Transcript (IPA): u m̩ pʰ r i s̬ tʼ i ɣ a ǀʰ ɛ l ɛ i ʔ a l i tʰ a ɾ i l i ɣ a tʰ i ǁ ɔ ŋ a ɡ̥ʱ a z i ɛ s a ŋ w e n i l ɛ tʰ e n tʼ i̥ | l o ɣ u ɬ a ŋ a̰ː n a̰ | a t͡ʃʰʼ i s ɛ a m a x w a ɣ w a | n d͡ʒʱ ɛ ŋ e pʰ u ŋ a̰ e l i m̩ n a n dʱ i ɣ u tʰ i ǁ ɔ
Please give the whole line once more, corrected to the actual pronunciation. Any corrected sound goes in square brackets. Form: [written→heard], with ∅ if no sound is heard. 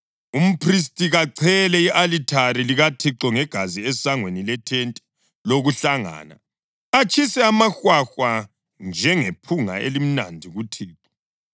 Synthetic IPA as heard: u m̩ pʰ r i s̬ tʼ i ɣ a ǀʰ ɛ l ɛ i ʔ a l i tʰ a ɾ i l i ɣ a tʰ i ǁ ɔ ŋ [a→ɛ] ɡ̥ʱ a z i ɛ s a ŋ w e n i l ɛ tʰ e n tʼ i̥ | l o ɣ u ɬ a ŋ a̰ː n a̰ | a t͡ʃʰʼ i s ɛ a m a x w a [ɣ→x] w a | n d͡ʒʱ ɛ ŋ e pʰ u ŋ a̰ e l i m̩ n a n dʱ i ɣ u tʰ [i→iː] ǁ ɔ